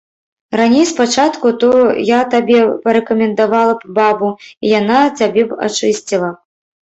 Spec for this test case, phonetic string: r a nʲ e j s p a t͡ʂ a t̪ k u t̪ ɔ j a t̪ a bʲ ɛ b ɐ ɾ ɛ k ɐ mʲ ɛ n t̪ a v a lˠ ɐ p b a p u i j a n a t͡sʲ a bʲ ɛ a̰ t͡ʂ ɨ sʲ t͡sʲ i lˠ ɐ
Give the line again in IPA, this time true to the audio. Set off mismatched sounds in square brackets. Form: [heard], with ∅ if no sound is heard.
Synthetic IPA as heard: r a nʲ e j s p a t͡ʂ a t̪ k u t̪ ɔ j a t̪ a bʲ ɛ [p] ɐ ɾ ɛ k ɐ mʲ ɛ n [d̪] a v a lˠ ɐ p b a [b] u i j a n a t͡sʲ a bʲ ɛ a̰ t͡ʂ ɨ sʲ t͡sʲ i lˠ ɐ